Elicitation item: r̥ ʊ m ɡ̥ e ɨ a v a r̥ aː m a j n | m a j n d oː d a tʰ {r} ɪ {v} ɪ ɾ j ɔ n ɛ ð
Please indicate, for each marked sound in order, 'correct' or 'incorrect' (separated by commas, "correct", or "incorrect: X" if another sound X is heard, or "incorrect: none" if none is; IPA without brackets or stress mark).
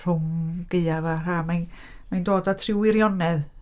correct, incorrect: w